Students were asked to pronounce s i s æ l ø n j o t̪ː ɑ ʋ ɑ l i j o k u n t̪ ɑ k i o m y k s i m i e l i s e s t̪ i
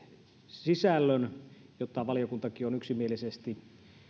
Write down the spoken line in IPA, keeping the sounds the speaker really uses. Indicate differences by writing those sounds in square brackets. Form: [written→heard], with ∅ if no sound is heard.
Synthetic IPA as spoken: s i s æ [l→lː] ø n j o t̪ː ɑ ʋ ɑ l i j o k u n t̪ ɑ k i o [m→n] y k s i m i e l i s e s t̪ i